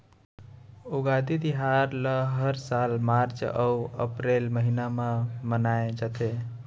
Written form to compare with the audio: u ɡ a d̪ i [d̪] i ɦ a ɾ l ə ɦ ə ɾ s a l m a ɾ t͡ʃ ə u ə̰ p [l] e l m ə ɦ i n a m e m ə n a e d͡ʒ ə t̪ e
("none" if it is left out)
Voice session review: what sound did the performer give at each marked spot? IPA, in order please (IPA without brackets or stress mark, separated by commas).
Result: d̪, ɾ